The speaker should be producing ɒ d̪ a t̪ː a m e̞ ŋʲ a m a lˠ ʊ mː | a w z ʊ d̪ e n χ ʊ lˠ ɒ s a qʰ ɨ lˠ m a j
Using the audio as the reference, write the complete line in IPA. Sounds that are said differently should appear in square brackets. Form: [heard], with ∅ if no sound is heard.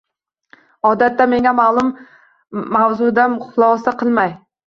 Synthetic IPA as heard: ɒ d̪ a t̪ː a m e̞ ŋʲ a m a lˠ ʊ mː | a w z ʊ d̪ [a] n χ ʊ lˠ ɒ s a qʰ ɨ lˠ m a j